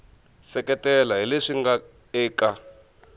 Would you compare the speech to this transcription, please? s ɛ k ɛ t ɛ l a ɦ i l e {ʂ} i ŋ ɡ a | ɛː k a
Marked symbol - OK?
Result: yes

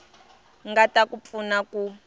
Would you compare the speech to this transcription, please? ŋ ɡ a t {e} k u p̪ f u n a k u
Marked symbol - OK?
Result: no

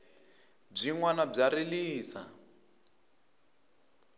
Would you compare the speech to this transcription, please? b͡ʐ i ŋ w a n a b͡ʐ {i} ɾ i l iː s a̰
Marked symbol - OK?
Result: no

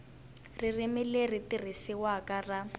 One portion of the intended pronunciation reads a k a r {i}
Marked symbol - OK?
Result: no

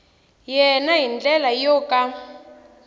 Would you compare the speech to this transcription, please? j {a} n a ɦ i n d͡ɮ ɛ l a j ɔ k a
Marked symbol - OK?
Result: no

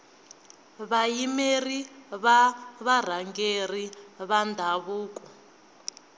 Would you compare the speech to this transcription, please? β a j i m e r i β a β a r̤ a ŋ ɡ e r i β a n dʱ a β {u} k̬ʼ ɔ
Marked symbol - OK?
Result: no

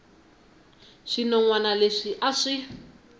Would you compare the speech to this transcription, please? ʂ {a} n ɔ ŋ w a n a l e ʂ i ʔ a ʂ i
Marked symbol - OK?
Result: no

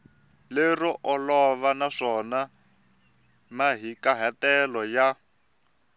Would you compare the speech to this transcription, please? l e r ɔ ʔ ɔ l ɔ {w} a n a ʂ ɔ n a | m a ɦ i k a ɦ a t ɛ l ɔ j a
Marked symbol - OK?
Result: no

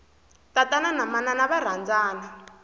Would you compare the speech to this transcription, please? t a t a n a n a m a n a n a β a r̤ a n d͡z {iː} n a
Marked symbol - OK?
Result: no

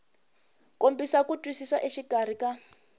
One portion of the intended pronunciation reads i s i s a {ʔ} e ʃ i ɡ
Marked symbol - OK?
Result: yes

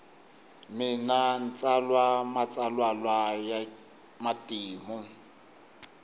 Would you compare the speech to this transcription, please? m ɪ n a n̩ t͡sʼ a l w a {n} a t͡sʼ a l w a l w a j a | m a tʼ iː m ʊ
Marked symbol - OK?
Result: no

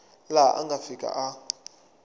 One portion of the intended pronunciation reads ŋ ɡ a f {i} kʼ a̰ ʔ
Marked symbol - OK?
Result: yes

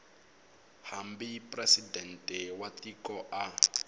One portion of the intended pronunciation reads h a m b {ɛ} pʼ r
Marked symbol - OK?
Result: no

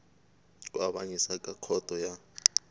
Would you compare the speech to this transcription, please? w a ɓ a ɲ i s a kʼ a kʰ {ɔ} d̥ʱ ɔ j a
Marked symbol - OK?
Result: yes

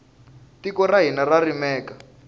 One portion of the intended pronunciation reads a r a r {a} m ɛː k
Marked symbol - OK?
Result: no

